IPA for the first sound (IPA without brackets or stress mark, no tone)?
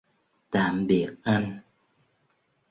t̪